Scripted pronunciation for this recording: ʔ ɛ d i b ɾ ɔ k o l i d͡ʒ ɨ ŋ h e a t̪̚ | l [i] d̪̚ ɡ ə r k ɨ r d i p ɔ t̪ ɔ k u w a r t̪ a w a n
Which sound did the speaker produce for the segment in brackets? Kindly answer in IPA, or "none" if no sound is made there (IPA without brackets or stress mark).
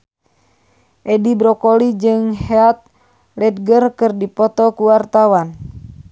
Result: ɛ